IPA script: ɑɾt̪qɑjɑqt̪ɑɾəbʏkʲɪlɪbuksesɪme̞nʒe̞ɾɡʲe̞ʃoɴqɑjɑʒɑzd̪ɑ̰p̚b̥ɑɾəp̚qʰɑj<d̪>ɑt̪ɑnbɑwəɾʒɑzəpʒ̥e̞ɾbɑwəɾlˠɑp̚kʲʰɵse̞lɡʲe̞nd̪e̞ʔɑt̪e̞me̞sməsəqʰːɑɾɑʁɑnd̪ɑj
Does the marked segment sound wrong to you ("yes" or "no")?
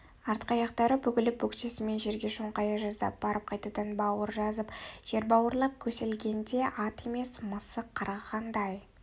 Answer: yes